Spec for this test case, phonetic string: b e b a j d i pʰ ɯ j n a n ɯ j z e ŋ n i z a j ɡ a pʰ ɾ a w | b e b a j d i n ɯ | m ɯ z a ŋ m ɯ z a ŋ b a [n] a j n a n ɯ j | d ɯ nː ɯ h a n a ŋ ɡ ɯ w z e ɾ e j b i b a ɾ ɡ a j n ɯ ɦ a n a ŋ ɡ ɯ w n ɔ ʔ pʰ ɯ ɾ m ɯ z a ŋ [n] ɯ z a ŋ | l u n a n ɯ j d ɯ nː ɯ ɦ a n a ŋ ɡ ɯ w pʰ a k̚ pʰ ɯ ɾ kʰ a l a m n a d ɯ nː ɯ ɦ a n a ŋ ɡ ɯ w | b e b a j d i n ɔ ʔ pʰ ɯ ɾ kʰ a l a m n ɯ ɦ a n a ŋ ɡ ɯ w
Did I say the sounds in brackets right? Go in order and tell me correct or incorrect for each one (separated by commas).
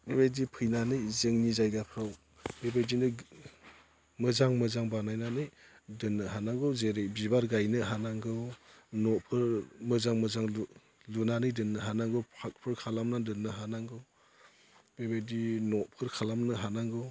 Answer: correct, incorrect